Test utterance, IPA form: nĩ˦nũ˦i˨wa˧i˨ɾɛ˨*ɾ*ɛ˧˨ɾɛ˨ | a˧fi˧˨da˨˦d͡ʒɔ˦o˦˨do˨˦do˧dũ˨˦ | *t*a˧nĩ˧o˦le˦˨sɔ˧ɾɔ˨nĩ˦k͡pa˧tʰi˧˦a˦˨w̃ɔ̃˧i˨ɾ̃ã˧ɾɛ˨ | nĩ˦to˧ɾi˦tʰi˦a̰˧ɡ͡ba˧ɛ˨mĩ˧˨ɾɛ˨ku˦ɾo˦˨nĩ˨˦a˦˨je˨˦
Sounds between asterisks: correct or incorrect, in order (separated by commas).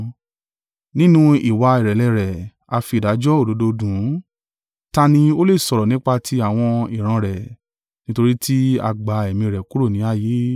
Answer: incorrect, correct